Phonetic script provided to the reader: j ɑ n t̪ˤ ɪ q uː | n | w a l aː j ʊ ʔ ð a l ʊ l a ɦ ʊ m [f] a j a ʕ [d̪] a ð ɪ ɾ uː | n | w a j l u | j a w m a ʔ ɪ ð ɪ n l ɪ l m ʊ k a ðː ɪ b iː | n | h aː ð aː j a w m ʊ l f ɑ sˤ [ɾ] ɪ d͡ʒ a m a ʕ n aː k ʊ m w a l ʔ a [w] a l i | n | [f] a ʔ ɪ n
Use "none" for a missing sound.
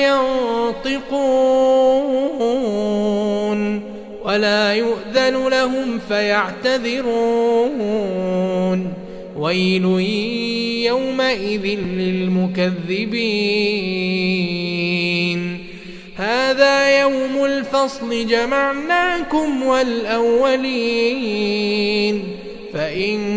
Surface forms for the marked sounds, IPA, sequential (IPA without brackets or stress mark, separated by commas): f, t̪, l, wː, f